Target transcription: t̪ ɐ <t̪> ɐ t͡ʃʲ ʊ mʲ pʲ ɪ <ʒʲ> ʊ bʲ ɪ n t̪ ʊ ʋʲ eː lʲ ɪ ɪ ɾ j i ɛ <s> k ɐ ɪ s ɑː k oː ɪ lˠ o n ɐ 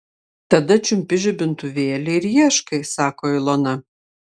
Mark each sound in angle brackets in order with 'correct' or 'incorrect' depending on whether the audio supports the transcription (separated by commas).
incorrect, correct, incorrect